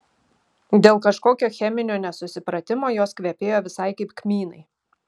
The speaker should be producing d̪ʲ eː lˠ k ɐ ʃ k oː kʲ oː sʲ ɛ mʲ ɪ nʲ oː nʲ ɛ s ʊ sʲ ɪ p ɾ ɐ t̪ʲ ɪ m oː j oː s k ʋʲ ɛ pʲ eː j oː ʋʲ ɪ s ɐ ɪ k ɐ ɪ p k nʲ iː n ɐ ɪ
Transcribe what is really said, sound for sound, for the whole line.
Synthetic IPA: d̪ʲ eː lˠ k ɐ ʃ k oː kʲ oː xʲ ɛ mʲ ɪ nʲ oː nʲ ɛ s ʊ sʲ ɪ p ɾ ɐ t̪ʲ ɪ m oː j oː s k ʋʲ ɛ pʲ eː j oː ʋʲ ɪ s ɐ ɪ k ɐ ɪ p k mʲ iː n ɐ ɪ